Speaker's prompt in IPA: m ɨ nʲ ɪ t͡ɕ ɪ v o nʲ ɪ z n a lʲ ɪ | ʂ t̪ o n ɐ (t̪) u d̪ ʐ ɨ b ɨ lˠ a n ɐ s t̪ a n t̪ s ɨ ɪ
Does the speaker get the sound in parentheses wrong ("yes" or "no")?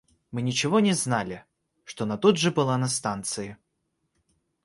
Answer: no